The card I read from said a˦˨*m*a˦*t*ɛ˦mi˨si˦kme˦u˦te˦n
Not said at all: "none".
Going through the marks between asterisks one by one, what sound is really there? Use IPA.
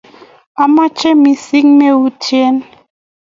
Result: m, t͡ʃ

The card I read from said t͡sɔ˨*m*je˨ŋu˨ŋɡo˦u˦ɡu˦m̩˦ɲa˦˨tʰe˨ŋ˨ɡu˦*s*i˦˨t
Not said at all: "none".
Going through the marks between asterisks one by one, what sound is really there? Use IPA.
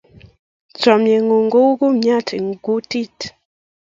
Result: m, t

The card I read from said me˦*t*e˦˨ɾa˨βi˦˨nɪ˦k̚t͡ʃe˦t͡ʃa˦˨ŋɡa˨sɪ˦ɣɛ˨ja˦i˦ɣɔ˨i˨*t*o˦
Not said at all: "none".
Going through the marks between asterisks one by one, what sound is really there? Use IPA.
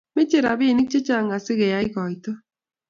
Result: t͡ʃ, t

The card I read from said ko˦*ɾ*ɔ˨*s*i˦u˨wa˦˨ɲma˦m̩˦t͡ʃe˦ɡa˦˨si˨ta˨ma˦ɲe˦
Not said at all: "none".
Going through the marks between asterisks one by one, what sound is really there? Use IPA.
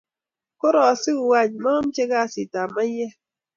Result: ɾ, s

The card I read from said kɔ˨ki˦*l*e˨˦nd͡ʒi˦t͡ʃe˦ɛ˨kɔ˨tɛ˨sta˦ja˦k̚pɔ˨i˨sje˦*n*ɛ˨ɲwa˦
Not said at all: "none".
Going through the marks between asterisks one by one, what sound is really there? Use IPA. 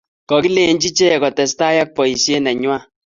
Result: l, n

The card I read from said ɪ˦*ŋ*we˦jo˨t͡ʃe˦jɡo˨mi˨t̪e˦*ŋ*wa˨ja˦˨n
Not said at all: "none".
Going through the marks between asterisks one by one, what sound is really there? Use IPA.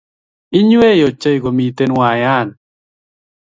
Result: ɲ, n

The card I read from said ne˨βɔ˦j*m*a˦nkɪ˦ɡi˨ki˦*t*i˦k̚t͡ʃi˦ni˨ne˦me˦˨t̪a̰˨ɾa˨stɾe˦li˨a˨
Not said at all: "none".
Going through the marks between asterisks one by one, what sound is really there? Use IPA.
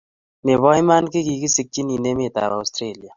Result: m, s

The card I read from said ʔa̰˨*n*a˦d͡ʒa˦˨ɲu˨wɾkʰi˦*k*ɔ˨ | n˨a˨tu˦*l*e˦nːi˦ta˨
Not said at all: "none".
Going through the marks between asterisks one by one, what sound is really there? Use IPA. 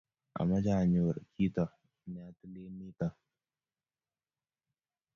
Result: m, t, l

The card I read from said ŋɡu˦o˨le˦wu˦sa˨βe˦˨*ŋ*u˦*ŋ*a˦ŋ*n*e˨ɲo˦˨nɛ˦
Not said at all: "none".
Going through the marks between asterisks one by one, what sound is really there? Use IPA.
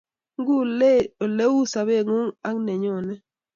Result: ŋ, ŋ, n

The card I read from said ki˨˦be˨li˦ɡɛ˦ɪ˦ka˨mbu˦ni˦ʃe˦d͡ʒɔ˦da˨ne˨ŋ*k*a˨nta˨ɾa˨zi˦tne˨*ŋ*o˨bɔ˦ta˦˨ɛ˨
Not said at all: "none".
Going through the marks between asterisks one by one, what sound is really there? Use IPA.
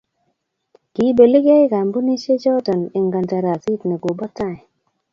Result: ɡ, ɡ

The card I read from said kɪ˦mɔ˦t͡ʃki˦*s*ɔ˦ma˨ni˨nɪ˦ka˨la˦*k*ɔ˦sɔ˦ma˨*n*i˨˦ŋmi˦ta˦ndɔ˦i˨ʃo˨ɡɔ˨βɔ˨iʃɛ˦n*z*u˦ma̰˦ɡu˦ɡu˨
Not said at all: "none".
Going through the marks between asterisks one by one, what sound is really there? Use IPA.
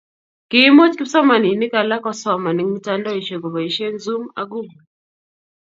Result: s, k, n, z

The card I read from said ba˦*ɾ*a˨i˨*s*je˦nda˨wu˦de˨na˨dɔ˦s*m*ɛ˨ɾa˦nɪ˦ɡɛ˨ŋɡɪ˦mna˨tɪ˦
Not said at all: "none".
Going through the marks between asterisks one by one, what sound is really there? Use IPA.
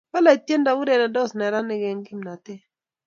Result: l, t, n

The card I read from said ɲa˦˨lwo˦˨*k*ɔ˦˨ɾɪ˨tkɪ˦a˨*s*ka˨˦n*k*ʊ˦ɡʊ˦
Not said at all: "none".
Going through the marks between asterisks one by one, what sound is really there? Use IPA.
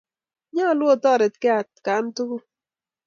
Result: t, t, t

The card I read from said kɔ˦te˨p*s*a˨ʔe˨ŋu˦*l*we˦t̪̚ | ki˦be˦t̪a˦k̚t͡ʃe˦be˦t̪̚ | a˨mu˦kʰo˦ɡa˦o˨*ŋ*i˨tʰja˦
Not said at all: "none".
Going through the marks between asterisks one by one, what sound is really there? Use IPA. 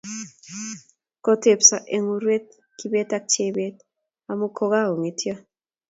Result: s, ɾ, ŋ

